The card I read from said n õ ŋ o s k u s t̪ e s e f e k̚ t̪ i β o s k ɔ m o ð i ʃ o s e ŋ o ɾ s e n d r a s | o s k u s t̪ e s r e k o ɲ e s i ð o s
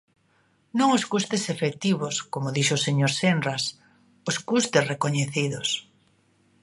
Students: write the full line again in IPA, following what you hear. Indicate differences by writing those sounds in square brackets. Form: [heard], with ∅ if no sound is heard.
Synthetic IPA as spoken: n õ ŋ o s k u s t̪ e s e f e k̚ t̪ i β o s k [o] m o ð i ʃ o s e [ɲ] o ɾ s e n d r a s | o s k u s t̪ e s r e k o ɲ e [θ] i ð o s